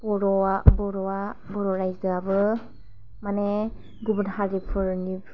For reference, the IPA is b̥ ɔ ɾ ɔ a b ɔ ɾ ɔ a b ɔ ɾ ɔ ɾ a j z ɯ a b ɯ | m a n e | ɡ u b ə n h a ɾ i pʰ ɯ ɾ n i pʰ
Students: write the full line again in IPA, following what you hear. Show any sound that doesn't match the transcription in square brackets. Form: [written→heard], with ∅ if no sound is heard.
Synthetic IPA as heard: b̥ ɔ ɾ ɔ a b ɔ ɾ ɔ a b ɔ ɾ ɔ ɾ a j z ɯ a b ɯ | m a n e | ɡ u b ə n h a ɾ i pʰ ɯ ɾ n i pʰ